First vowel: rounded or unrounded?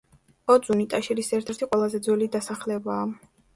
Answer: rounded